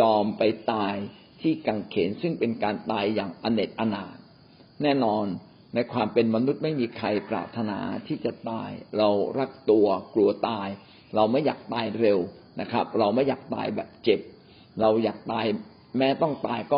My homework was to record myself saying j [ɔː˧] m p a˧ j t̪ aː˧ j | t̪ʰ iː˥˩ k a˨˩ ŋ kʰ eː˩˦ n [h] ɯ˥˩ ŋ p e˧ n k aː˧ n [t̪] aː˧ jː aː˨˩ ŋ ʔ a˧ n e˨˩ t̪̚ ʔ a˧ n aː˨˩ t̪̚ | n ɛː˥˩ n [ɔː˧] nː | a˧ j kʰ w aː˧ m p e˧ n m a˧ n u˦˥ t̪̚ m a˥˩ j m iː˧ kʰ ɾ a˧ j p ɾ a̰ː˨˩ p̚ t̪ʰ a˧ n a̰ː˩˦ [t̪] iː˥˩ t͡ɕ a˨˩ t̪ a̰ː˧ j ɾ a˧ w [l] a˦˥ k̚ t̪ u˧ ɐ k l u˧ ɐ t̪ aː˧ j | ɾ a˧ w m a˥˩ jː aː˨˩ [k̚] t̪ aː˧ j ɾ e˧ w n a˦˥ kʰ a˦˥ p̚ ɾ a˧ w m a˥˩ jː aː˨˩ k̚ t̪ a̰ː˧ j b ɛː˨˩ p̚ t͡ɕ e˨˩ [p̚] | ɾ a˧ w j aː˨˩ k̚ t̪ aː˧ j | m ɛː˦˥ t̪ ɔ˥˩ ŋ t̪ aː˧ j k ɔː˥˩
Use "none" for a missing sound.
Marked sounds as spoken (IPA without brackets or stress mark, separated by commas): ɔː˧, s, t̪, ɔː˧, t̪ʰ, ɾ, k̚, p̚